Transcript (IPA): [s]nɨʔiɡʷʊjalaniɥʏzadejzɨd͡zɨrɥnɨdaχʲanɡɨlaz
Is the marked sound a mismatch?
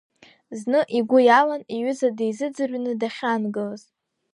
yes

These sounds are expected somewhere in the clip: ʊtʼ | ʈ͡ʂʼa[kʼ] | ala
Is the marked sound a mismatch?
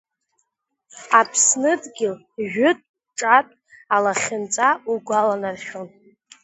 yes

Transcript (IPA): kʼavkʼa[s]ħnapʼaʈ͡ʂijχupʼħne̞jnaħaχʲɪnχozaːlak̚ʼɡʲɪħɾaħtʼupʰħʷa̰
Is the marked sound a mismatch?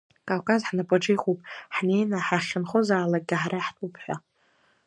yes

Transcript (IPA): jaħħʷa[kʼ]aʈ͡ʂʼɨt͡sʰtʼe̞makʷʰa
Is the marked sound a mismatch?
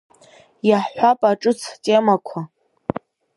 yes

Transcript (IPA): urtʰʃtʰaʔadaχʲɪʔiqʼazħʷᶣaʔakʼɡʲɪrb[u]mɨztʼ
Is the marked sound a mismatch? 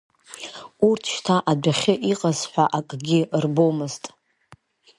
yes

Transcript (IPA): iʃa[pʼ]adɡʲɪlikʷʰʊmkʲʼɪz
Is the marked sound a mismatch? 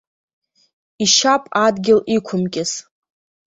no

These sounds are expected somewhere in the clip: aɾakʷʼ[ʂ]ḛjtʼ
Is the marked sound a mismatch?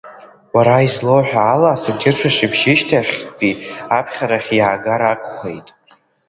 yes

